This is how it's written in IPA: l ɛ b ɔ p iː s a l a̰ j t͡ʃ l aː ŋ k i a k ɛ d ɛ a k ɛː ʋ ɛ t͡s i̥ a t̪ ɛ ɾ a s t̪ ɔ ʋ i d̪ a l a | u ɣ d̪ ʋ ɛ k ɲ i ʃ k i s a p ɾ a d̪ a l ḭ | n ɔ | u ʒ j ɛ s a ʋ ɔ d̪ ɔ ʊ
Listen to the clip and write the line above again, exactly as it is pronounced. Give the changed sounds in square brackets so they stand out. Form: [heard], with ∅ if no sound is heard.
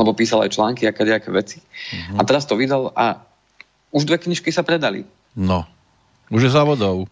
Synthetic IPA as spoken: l ɛ b ɔ p iː s a l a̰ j t͡ʃ l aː ŋ k i a k ɛ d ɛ a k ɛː ʋ ɛ t͡s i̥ a t̪ ɛ ɾ a s t̪ ɔ ʋ i d̪ a l a | u [ʒ] d̪ ʋ ɛ k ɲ i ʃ k i s a p ɾ [ɛ] d̪ a l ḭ | n ɔ | u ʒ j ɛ [z] a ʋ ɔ d̪ ɔ ʊ